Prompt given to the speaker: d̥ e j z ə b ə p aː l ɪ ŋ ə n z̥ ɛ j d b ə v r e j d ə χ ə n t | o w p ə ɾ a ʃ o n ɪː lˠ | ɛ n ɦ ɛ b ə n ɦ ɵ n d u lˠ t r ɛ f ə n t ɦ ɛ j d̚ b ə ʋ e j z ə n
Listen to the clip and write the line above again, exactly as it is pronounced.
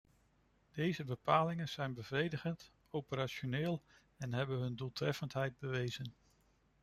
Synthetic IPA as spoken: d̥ e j z ə b ə p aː l ɪ ŋ ə n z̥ ɛ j n b ə v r e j d ə χ ə n t | o w p ə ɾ a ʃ o n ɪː lˠ | ɛ n ɦ ɛ b ə n ɦ ɵ n d u lˠ t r ɛ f ə n t ɦ ɛ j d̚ b ə ʋ e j z ə n

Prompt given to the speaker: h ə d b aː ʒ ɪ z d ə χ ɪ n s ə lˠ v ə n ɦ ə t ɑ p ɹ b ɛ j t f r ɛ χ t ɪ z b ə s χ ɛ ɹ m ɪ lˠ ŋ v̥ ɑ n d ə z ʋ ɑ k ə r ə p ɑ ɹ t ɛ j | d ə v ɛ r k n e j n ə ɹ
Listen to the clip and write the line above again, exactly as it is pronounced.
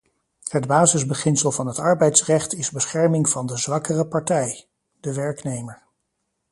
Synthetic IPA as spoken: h ə d b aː z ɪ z b ə χ ɪ n s ə lˠ v ɑ n ɦ ə t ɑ ɹ b ɛ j t s r ɛ χ t ɪ z b ə s χ ɛ ɹ m ɪ ŋ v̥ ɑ n d ə z ʋ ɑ k ə r ə p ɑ ɹ t ɛ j | d ə ʋ ɛ ɹ k n e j m ə ɹ

